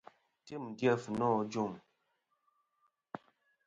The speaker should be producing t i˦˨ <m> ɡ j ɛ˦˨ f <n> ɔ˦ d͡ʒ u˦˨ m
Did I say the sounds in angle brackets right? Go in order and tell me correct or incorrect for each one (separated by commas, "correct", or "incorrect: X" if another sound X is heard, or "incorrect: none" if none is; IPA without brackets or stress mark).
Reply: correct, correct